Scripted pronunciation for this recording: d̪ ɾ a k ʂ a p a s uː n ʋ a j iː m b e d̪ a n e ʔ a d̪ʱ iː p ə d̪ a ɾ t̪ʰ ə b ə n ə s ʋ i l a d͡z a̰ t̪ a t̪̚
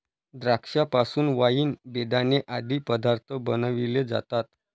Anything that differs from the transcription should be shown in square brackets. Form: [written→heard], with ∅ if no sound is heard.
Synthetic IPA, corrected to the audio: d̪ ɾ a k ʂ a p a s uː n ʋ a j iː [m→n] b e d̪ a n e ʔ a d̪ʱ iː p ə d̪ a ɾ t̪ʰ ə b ə n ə [s→∅] ʋ i l [a→e] d͡z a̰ t̪ a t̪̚